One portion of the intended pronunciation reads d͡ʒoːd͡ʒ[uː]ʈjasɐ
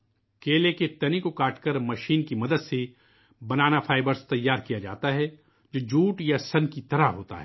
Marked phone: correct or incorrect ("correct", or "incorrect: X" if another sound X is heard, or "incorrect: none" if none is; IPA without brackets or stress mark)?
correct